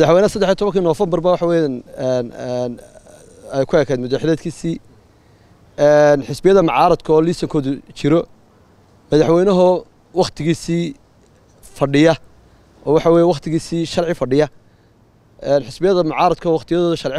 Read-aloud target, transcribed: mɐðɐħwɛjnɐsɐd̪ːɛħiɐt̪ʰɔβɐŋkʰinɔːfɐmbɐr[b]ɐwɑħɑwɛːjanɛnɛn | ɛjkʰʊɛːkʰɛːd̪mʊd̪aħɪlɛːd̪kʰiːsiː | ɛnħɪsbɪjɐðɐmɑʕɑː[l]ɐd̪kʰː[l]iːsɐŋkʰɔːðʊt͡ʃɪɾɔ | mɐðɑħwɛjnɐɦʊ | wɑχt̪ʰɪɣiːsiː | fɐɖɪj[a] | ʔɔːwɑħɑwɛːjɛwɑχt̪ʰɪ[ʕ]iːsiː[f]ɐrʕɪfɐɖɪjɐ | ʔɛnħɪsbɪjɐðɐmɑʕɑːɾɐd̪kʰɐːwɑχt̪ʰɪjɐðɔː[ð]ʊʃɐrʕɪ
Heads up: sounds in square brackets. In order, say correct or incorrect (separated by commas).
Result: correct, incorrect, correct, incorrect, incorrect, incorrect, correct